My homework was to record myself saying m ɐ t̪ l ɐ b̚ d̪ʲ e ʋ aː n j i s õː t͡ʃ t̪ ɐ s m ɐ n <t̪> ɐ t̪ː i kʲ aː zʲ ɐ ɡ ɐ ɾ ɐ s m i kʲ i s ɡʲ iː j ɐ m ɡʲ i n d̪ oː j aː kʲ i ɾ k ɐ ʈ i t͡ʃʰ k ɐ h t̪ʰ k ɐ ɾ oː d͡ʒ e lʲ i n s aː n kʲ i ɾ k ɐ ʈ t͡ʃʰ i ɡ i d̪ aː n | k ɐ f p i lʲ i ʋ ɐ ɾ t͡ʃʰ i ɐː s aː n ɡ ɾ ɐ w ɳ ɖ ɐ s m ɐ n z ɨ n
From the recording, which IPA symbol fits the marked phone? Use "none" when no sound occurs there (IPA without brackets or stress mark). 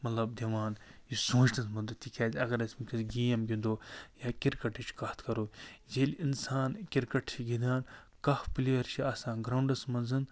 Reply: d̪